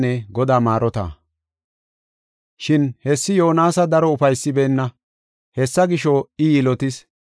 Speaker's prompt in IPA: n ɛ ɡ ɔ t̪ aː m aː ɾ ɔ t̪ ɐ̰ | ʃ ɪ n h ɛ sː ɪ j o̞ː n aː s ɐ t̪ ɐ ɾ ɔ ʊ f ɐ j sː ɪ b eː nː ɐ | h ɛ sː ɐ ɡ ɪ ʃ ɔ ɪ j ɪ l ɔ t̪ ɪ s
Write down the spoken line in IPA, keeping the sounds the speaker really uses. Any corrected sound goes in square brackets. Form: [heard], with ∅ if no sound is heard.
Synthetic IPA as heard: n ɛ ɡ ɔ [d̪] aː m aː ɾ ɔ t̪ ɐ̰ | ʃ ɪ n h ɛ sː ɪ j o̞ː n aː s ɐ [d̪] ɐ ɾ ɔ ʊ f ɐ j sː ɪ b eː nː ɐ | h ɛ sː ɐ ɡ ɪ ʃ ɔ ɪ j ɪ l ɔ t̪ ɪ s